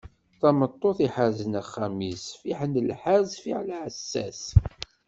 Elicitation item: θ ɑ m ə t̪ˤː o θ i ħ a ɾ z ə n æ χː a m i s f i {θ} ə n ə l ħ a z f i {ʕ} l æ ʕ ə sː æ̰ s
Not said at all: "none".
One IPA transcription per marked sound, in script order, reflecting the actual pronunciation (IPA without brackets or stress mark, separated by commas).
ħ, ʕ